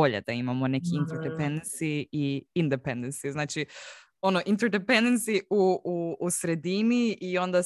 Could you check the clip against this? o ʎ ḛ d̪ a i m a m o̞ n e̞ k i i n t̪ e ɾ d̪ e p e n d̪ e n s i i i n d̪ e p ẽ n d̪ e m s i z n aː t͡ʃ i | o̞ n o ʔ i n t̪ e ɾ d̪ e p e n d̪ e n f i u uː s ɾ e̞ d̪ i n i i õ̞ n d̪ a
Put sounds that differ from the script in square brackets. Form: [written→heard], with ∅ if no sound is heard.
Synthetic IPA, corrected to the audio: o ʎ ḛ d̪ a i m a m o̞ n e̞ k i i n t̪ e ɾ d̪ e p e n d̪ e n s i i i n d̪ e p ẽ n d̪ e [m→n] s i z n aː t͡ʃ i | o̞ n o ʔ i n t̪ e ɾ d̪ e p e n d̪ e n [f→s] i u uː s ɾ e̞ d̪ i n i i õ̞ n d̪ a